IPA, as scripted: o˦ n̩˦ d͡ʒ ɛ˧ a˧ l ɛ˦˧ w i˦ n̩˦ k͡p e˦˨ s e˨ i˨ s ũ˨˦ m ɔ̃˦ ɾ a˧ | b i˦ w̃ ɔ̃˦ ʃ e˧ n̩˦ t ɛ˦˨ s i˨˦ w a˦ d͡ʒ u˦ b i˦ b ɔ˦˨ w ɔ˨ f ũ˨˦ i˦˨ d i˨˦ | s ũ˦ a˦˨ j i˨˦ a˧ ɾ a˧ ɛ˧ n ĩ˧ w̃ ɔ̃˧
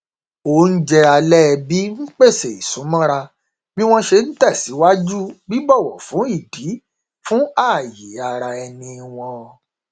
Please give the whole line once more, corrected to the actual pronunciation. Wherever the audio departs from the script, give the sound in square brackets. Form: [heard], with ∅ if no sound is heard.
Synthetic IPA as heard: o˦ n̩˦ d͡ʒ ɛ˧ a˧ l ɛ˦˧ [b] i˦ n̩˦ k͡p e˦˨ s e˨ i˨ s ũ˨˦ m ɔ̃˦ ɾ a˧ | b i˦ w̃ ɔ̃˦ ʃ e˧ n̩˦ t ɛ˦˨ s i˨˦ w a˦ d͡ʒ u˦ b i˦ b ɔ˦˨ w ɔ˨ f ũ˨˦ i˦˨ d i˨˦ | [f] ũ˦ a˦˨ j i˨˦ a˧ ɾ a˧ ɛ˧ n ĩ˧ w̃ ɔ̃˧